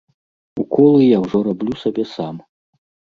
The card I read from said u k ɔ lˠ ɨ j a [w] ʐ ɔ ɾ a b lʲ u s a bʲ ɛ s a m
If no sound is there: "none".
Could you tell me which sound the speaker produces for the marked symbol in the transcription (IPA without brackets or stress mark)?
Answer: w